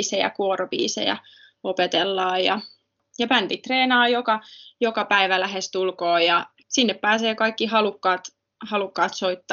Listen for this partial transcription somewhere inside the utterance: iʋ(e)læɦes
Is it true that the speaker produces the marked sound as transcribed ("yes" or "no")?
no